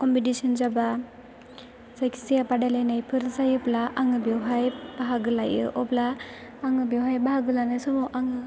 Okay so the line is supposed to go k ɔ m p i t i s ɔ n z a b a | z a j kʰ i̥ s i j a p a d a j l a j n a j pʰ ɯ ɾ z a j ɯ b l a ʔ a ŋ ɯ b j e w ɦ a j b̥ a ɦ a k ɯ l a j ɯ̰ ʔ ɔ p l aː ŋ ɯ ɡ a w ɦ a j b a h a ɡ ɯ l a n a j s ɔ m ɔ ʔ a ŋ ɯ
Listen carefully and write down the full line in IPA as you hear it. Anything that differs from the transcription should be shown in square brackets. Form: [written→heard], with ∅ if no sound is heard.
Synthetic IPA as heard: k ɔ m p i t i s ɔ n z a b a | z a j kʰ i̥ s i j a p a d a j l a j n a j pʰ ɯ ɾ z a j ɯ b l a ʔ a ŋ ɯ b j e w ɦ a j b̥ a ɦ a [k→ɡ] ɯ l a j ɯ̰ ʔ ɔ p l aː ŋ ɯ [ɡ→b] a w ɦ a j b a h a ɡ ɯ l a n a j s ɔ m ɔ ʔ a ŋ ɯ